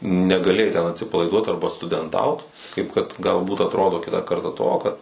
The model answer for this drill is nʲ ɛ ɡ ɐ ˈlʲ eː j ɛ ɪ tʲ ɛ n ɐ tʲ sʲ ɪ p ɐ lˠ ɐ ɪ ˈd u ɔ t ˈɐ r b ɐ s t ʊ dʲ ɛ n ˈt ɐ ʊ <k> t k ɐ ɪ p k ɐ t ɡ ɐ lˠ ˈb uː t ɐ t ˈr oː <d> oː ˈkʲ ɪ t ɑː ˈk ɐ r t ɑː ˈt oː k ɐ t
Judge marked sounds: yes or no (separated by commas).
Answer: no, yes